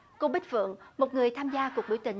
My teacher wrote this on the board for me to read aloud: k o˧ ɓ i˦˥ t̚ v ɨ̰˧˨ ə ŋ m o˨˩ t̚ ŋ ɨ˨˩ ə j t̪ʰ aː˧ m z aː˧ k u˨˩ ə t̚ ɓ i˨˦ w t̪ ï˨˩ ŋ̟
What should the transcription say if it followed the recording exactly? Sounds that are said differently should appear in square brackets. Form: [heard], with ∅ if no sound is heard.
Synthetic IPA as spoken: k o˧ ɓ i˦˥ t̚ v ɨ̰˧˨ ə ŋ m o˨˩ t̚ ŋ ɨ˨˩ ə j t̪ʰ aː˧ m z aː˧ k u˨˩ ə [k̚] ɓ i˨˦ w t̪ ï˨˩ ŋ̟